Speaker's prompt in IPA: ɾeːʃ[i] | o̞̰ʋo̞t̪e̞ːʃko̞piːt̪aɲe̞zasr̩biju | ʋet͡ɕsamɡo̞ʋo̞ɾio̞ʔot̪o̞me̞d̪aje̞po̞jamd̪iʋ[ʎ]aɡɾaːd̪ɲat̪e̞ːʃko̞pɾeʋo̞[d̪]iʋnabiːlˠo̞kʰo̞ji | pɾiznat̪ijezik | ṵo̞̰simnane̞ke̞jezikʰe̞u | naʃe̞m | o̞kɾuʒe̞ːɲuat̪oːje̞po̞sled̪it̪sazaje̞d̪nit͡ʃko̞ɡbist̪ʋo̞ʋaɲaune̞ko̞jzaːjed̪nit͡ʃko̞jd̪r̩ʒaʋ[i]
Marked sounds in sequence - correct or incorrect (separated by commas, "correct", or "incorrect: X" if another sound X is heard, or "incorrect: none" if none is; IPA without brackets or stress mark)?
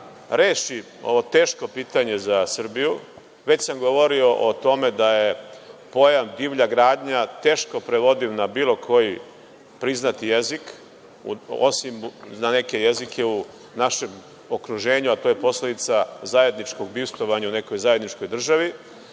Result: correct, correct, correct, correct